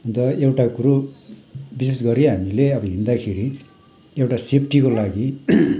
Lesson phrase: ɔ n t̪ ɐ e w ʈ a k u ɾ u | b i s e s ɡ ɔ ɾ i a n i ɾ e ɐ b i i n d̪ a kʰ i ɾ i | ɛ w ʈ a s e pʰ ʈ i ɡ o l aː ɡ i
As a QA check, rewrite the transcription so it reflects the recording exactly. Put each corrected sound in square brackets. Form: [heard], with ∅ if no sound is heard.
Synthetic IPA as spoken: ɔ n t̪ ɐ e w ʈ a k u ɾ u | b i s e s ɡ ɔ ɾ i a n i [l] e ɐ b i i n d̪ a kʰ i ɾ i | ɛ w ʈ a s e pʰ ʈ i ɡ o l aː ɡ i